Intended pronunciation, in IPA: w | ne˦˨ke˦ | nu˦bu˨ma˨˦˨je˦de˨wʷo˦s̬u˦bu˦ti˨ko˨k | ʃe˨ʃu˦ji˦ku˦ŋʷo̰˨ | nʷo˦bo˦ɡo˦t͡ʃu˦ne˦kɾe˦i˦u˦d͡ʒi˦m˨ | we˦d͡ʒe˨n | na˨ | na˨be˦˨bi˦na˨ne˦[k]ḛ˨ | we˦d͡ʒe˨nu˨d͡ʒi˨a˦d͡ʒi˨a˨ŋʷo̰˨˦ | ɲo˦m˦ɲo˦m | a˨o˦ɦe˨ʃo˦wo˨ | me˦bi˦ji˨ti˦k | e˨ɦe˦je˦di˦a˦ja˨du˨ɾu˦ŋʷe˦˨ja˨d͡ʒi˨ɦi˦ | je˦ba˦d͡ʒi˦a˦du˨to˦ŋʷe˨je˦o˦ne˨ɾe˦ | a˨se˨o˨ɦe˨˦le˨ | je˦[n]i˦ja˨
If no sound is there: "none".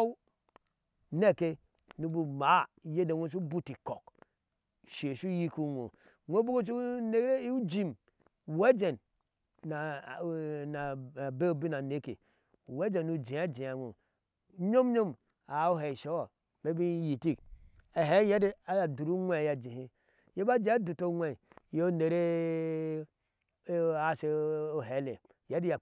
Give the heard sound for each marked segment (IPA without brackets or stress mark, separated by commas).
k, d